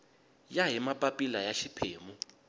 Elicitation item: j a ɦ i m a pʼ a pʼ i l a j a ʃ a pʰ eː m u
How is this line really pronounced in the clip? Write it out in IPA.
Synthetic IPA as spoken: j a ɦ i m a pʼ a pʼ i l a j a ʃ i pʰ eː m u